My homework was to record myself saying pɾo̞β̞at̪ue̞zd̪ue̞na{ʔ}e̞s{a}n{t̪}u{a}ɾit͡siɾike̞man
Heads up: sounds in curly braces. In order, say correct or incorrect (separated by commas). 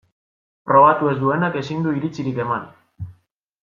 incorrect, incorrect, incorrect, incorrect